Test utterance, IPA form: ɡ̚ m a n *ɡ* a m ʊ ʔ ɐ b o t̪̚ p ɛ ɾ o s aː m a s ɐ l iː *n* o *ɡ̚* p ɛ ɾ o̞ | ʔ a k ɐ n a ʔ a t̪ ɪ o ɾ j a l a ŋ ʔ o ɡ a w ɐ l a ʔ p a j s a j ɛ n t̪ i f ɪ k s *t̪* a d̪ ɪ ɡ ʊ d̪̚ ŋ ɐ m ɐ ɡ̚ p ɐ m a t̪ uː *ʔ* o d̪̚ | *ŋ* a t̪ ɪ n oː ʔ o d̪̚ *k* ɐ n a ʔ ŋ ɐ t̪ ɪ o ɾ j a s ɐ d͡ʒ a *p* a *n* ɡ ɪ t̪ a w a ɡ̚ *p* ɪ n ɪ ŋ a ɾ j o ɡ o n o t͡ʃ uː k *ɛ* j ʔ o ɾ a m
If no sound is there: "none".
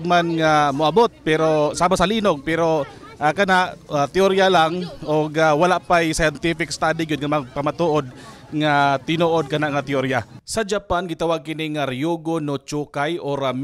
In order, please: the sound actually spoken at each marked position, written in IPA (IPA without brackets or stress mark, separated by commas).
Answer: ŋ, n, ɡ̚, t̪, ʔ, ŋ, k, p, n, k, a